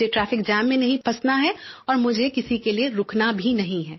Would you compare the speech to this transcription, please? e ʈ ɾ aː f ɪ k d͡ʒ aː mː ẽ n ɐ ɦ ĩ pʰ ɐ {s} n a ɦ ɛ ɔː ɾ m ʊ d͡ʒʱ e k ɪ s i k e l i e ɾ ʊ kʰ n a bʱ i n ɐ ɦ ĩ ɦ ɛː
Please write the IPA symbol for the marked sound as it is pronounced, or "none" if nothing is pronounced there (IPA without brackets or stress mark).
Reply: s